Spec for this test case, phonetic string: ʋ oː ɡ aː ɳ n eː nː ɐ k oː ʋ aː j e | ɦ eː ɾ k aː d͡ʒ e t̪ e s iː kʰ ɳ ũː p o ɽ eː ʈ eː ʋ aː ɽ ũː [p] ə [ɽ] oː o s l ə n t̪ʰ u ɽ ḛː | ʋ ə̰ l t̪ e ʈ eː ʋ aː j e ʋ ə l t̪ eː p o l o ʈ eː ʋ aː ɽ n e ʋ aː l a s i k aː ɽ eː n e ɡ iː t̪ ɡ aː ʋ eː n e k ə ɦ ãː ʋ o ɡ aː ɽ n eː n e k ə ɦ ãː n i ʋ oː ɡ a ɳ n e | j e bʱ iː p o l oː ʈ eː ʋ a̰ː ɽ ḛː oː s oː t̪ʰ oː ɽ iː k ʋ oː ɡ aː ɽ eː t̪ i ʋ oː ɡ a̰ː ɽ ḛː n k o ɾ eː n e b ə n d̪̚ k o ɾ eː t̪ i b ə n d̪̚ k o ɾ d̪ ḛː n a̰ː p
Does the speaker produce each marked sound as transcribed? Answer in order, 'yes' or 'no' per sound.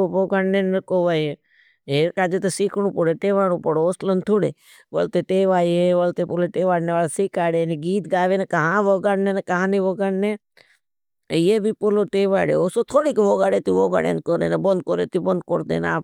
yes, yes

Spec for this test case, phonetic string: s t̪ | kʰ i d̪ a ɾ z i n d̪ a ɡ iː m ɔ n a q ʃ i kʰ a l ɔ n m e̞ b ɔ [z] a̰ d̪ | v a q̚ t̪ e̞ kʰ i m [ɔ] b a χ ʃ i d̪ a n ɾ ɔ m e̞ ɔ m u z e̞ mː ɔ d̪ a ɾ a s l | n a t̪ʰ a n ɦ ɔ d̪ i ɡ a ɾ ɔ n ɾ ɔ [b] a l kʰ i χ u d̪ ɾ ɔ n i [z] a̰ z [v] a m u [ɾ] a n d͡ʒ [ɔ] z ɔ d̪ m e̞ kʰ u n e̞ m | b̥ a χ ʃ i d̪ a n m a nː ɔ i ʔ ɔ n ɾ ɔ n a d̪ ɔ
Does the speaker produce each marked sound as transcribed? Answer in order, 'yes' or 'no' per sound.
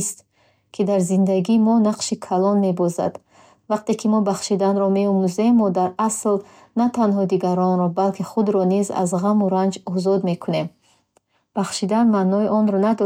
yes, yes, yes, yes, no, yes, yes

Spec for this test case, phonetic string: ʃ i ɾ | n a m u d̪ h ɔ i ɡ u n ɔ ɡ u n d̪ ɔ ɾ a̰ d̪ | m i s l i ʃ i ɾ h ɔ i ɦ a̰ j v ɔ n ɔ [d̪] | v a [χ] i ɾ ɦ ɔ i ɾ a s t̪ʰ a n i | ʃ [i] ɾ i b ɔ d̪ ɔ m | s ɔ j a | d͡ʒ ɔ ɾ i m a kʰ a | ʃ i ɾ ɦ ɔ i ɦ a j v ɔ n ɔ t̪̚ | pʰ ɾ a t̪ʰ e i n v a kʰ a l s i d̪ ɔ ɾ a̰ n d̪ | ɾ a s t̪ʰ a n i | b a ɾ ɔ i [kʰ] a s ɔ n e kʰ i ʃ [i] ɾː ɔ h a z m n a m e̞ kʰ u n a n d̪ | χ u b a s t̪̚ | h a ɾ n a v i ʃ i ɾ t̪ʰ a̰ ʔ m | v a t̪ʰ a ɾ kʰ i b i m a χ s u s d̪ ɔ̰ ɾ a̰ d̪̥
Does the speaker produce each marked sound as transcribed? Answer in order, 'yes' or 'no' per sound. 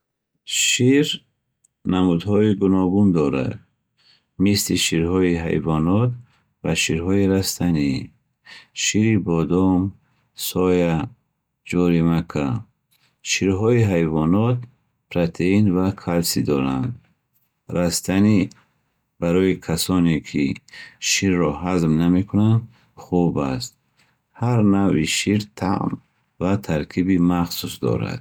no, no, yes, yes, yes

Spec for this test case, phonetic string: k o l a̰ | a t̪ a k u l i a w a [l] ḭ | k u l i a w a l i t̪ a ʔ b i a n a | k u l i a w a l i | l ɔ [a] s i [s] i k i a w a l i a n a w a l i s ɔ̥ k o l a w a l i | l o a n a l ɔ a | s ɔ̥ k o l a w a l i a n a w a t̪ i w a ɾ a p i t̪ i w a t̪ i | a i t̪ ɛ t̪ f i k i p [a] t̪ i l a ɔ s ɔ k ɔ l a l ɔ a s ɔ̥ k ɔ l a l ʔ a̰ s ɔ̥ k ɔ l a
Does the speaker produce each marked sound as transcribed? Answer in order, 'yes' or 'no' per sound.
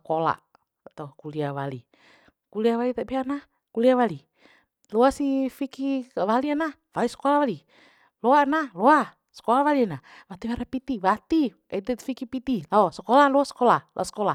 yes, yes, no, no

